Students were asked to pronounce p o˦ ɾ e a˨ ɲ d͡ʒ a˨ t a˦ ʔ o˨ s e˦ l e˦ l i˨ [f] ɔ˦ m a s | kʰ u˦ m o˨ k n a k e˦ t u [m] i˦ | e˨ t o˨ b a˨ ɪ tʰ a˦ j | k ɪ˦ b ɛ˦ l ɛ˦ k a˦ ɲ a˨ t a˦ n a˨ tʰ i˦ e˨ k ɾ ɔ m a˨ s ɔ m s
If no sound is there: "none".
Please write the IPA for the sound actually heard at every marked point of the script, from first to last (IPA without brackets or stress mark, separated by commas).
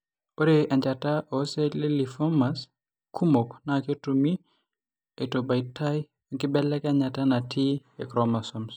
f, m